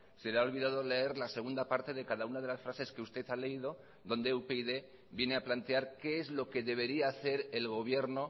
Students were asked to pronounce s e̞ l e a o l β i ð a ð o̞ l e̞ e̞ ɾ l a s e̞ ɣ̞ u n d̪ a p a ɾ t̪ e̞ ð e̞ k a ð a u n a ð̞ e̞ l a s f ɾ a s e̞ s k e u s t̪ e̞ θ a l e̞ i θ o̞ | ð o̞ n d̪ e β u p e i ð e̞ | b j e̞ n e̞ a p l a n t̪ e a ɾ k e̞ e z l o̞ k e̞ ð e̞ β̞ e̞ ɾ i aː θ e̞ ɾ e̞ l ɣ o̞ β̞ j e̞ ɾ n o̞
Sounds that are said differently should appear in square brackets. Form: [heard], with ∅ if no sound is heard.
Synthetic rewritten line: s e̞ l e a o l β i ð a ð o̞ l e̞ e̞ ɾ l a s e̞ ɣ̞ u n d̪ a p a ɾ t̪ e̞ ð e̞ k a ð a u n a ð̞ e̞ l a s f ɾ a s e̞ s k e u s t̪ e̞ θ a l e̞ i [ð] o̞ | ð o̞ n d̪ e [∅] u p e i ð e̞ | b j e̞ n e̞ a p l a n t̪ e a ɾ k e̞ e z l o̞ k e̞ ð e̞ β̞ e̞ ɾ i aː θ e̞ ɾ e̞ l ɣ o̞ β̞ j e̞ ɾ n o̞